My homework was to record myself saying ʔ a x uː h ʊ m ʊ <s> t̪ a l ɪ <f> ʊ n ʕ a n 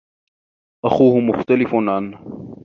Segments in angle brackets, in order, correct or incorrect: incorrect, correct

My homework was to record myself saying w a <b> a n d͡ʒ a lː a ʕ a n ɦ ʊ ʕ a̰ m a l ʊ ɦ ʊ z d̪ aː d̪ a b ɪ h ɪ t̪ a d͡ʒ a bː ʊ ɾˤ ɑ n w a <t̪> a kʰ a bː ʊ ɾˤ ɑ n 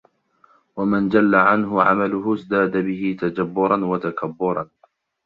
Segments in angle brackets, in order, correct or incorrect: incorrect, correct

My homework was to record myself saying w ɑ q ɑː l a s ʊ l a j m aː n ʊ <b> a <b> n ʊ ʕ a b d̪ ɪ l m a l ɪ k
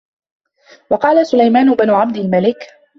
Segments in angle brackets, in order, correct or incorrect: correct, incorrect

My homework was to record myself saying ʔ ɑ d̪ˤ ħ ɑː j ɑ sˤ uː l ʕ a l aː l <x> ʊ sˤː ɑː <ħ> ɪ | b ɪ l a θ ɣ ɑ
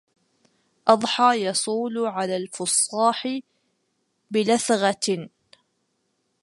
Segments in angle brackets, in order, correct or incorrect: incorrect, correct

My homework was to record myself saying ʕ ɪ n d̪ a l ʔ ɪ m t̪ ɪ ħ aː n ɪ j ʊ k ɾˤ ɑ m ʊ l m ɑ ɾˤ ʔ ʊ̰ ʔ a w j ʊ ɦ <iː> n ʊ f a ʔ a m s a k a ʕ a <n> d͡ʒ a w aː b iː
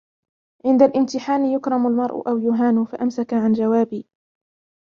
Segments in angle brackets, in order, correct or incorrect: incorrect, correct

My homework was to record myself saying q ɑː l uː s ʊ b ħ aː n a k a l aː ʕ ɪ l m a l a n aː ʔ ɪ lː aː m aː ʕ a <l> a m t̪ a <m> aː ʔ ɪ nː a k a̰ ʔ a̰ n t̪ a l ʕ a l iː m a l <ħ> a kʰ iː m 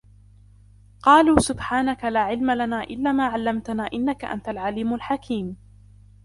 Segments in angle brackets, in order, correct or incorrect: incorrect, incorrect, correct

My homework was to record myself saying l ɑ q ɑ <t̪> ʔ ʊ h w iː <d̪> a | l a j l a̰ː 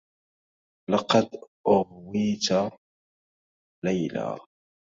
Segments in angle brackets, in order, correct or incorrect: incorrect, incorrect

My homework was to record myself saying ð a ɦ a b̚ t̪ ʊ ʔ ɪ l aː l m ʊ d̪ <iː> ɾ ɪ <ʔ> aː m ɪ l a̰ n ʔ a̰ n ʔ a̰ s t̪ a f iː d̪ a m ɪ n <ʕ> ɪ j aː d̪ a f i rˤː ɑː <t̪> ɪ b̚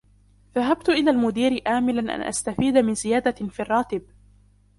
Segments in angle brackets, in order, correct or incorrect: correct, correct, incorrect, correct

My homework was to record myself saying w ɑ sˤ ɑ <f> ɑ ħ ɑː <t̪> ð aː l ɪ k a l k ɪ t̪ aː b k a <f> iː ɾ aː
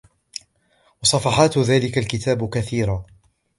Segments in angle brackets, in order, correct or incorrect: correct, correct, incorrect

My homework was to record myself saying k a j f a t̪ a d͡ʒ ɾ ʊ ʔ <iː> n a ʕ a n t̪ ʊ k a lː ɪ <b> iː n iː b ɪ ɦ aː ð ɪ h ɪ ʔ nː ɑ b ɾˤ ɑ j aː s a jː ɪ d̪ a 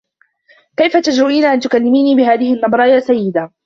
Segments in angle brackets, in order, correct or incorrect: correct, incorrect

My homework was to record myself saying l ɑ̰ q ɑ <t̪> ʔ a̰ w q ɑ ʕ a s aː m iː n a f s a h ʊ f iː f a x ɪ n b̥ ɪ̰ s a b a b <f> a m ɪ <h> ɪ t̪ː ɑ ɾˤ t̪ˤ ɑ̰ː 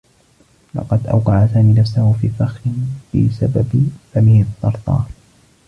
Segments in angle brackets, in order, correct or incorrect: incorrect, correct, correct

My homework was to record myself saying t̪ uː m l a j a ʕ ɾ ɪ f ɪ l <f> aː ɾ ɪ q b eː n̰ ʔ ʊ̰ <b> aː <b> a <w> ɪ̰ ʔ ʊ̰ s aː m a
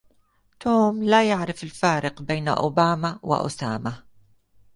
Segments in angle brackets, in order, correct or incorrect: correct, correct, incorrect, correct

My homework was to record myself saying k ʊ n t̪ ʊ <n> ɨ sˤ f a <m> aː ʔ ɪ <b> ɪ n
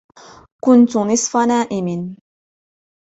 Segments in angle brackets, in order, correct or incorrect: correct, incorrect, incorrect

